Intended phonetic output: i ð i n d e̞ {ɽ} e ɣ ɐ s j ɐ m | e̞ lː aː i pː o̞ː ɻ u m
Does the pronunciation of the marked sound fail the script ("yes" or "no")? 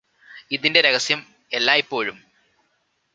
yes